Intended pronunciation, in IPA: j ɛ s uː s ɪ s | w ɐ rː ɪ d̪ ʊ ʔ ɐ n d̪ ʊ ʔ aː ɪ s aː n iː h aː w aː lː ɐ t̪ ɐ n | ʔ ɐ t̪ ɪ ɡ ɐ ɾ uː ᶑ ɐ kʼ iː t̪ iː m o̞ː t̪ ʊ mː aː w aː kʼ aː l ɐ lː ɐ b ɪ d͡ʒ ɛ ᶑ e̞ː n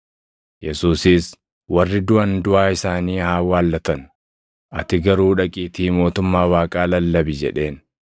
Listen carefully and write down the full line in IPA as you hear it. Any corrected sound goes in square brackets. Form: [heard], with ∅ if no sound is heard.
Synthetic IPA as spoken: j ɛ s uː s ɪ s | w ɐ rː ɪ d̪ ʊ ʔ ɐ n d̪ ʊ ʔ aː ɪ s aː n iː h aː w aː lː ɐ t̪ ɐ n | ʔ ɐ t̪ ɪ ɡ ɐ ɾ uː ᶑ ɐ kʼ iː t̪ iː m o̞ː t̪ ʊ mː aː w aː kʼ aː l ɐ lː ɐ b ɪ d͡ʒ ɛ ᶑ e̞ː n

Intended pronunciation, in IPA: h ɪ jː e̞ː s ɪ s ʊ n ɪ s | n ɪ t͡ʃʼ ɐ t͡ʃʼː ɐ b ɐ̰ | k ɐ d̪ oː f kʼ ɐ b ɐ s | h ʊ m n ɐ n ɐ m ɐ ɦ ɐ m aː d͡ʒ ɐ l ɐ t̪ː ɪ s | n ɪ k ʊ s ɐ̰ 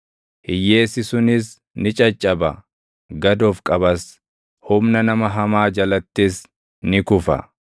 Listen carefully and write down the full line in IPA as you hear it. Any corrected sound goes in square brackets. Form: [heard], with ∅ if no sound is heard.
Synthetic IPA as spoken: h ɪ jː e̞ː s ɪ s ʊ n ɪ s | n ɪ t͡ʃʼ ɐ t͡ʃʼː ɐ b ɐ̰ | [ɡ] ɐ d̪ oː f kʼ ɐ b ɐ s | h ʊ m n ɐ n ɐ m ɐ ɦ ɐ m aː d͡ʒ ɐ l ɐ t̪ː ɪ s | n ɪ k ʊ [f] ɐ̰

